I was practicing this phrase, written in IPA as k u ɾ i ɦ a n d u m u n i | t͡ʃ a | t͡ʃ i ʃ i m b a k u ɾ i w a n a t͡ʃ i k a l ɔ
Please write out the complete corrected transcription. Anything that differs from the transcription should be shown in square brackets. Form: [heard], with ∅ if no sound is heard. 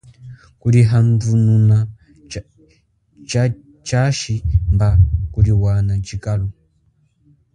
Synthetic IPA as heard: k u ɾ i ɦ a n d u [n] u n [a] | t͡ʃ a | t͡ʃ [a] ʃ i m b a k u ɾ i w a n a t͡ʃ i k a l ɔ

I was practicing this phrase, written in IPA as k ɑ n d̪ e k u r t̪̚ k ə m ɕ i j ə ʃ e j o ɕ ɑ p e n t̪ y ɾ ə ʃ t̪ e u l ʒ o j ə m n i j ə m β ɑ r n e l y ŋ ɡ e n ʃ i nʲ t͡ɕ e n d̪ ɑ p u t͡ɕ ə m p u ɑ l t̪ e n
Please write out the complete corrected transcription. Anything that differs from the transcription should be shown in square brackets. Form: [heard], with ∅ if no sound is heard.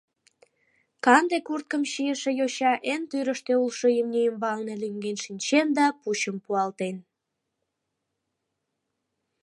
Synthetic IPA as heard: k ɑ n d̪ e k u r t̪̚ k ə m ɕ i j ə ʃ e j o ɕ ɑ [ʔ] e n t̪ y ɾ ə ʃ t̪ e u l [ʃ] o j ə m n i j ə m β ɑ [l] n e l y ŋ ɡ e n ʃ i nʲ t͡ɕ e n d̪ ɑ p u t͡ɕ ə m p u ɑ l t̪ e n

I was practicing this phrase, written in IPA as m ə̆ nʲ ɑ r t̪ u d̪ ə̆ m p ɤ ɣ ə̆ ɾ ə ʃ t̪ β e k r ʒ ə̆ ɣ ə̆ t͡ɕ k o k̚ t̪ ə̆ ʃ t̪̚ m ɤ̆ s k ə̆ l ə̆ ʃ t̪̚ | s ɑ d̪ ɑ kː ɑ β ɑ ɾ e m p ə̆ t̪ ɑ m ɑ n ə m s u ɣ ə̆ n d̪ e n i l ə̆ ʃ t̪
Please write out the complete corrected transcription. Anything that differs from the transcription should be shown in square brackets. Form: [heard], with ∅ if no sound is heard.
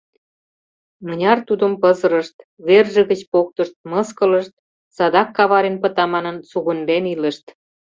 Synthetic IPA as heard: m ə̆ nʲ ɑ r t̪ u d̪ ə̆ m p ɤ [z] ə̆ ɾ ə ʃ t̪ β e [∅] r ʒ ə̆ ɣ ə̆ t͡ɕ [p] o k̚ t̪ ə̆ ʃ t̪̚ m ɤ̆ s k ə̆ l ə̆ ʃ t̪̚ | s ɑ d̪ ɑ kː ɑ β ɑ ɾ e [n] p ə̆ t̪ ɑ m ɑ n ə [n] s u ɣ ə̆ n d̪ e n i l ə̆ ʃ t̪

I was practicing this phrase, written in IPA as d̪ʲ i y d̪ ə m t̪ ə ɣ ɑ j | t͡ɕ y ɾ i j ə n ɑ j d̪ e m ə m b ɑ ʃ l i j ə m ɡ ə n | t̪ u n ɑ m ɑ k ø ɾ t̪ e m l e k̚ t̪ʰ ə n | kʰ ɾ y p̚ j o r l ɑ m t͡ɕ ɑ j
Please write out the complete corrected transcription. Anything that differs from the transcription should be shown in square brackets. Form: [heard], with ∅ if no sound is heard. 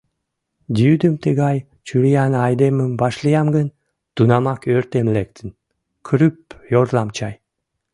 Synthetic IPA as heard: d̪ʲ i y d̪ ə m t̪ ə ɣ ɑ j | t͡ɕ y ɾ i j [ɑ] n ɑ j d̪ e m ə m b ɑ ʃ l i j [ɑ] m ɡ ə n | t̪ u n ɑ m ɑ k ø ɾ t̪ e m l e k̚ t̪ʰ ə n | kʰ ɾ y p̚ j o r l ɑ m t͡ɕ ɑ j

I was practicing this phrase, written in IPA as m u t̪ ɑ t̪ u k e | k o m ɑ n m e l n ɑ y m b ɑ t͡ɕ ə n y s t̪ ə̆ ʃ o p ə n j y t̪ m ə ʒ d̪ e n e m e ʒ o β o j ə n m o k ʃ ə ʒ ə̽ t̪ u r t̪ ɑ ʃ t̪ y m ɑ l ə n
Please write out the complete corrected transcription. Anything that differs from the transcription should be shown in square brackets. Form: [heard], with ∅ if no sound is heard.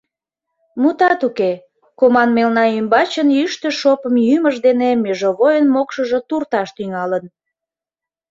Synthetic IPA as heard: m u t̪ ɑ t̪ u k e | k o m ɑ n m e l n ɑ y m b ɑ t͡ɕ ə n y [ʃ] t̪ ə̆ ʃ o p ə [m] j y [∅] m ə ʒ d̪ e n e m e ʒ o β o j ə n m o k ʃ ə ʒ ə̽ t̪ u r t̪ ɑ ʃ t̪ y [ŋ] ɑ l ə n

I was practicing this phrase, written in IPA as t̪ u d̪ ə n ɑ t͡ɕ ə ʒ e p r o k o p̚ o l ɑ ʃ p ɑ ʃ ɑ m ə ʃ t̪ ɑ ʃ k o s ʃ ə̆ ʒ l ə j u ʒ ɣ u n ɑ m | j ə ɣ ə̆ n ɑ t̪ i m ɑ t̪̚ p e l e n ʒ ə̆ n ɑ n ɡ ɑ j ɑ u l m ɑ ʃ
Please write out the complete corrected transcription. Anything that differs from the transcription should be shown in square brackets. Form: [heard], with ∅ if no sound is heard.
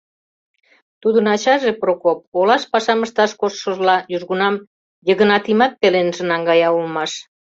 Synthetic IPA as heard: t̪ u d̪ ə n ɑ t͡ɕ [ɑ] ʒ e p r o k o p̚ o l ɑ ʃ p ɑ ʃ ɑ m ə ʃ t̪ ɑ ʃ k o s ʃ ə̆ ʒ l [ɑ] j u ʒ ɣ u n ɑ m | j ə ɣ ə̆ n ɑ t̪ i m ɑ t̪̚ p e l e n ʒ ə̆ n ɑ [ŋ] ɡ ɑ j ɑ u l m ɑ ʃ

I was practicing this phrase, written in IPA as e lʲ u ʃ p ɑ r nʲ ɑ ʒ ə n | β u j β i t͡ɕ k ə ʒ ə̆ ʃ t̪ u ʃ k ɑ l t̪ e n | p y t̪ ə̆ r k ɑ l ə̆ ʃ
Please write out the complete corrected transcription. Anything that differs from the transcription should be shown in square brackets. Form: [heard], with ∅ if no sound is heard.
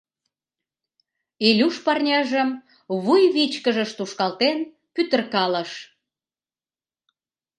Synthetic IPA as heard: e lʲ u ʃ p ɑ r nʲ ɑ ʒ ə [m] | β u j β i t͡ɕ k ə ʒ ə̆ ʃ t̪ u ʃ k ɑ l t̪ e n | p y t̪ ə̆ r k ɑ l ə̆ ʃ

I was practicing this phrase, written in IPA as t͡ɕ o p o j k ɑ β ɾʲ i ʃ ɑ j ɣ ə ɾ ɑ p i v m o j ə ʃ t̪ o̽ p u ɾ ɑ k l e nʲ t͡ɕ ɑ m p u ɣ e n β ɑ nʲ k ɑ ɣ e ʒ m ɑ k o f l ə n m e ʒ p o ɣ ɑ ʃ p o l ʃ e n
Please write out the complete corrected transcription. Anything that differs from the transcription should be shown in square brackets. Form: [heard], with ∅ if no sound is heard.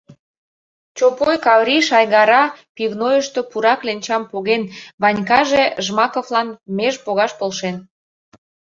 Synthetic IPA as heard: t͡ɕ o p o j k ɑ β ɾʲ i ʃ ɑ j ɣ [ɑ] ɾ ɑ p i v [n] o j ə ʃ t̪ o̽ p u ɾ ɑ k l e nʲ t͡ɕ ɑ m p [o] ɣ e n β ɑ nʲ k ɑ [ʒ] e ʒ m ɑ k o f l [ɑ] n m e ʒ p o ɣ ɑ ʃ p o l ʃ e n

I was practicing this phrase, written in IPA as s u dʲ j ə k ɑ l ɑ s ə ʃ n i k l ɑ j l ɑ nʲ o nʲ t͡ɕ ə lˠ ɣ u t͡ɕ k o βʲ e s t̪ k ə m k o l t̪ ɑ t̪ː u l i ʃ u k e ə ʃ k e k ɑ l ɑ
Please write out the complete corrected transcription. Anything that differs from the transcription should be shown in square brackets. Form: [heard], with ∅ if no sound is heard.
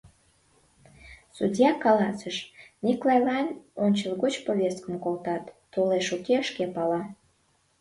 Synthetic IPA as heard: s u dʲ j [ɑ] k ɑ l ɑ s ə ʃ n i k l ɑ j l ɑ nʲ o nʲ t͡ɕ ə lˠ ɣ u t͡ɕ [p] o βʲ e s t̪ k ə m k o l t̪ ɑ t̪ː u l [e] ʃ u k e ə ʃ k e [p] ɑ l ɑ

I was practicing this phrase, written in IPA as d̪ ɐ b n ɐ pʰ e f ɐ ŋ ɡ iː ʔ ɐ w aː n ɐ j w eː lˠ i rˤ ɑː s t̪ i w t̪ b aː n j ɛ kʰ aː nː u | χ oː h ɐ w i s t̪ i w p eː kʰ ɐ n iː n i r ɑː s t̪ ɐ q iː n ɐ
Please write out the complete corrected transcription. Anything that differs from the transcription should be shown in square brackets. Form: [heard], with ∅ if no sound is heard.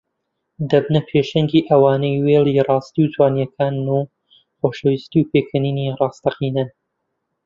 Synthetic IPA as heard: d̪ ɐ b n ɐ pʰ e [ʃ] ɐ ŋ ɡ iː ʔ ɐ w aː n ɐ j w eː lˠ i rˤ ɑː s t̪ i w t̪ [w] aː n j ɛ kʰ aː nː u | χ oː [ʃ] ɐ w i s t̪ i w p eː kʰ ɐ n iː n i r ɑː s t̪ ɐ q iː n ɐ

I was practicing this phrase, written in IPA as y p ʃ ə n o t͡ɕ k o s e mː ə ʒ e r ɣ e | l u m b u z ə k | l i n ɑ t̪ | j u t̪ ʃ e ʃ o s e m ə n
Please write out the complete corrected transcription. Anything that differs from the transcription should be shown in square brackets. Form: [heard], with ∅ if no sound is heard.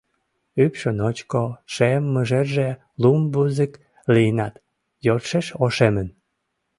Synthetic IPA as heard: y p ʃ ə n o t͡ɕ k o [ʃ] e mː ə ʒ e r [ʒ] e | l u m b u z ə k | l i n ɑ t̪ | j [o] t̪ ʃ e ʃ o [ʃ] e m ə n

